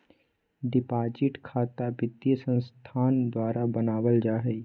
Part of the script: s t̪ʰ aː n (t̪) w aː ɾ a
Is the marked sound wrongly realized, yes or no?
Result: yes